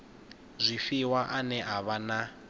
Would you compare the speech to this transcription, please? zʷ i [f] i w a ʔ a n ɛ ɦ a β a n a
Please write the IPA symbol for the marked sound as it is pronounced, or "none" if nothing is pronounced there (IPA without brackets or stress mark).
f